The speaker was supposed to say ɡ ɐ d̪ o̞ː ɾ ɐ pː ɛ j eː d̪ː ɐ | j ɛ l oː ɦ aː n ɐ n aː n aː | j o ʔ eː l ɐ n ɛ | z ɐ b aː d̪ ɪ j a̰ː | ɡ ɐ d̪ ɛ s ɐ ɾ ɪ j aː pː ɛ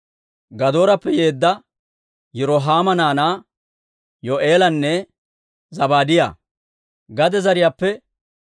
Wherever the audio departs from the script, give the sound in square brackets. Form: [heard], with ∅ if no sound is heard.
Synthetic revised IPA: ɡ ɐ d̪ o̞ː ɾ ɐ pː ɛ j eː d̪ː ɐ | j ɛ [ɾ] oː ɦ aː [m] ɐ n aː n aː | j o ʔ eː l ɐ [nː] ɛ | z ɐ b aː d̪ ɪ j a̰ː | ɡ ɐ d̪ ɛ [z] ɐ ɾ ɪ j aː pː ɛ